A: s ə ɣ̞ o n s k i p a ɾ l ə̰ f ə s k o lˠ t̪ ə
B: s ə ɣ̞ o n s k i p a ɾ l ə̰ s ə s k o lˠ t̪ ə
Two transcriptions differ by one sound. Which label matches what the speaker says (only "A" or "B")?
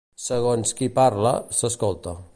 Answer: B